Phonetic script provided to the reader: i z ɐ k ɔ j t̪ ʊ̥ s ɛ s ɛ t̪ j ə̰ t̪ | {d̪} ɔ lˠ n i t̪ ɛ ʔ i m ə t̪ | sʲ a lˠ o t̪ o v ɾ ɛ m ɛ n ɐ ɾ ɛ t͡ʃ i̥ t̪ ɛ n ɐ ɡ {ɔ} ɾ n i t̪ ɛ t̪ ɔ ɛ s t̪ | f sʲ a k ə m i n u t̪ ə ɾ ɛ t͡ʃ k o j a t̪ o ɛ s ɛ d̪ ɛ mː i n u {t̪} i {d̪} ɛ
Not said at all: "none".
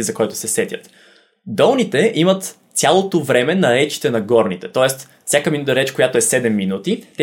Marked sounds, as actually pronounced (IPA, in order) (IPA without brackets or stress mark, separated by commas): d̪, ɔ, t̪, t̪